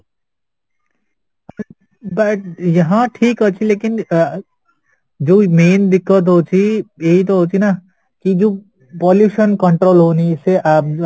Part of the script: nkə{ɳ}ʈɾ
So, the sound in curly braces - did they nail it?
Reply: yes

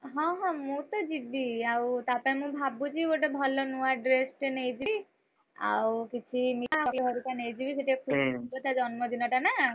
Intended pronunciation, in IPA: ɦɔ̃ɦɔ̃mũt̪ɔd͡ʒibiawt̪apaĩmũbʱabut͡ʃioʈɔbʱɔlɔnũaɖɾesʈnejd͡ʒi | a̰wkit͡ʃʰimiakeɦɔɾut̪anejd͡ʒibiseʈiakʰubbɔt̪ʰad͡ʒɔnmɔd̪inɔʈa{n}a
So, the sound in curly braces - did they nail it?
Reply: yes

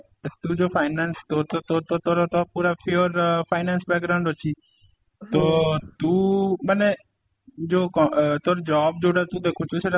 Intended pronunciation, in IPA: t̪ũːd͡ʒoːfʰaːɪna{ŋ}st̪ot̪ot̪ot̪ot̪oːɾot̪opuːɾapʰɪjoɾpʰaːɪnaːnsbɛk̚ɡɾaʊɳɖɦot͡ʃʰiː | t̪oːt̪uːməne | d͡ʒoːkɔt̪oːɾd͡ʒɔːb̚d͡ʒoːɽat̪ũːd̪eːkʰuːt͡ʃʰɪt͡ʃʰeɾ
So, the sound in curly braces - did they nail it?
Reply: no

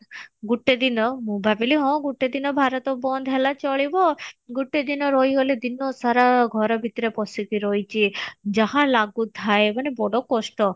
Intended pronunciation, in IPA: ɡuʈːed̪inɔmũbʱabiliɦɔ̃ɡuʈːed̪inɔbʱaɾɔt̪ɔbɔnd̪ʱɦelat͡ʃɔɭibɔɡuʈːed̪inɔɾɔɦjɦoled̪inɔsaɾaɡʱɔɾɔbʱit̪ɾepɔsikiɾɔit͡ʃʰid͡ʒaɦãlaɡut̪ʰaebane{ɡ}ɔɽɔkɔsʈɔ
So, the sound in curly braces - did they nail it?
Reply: no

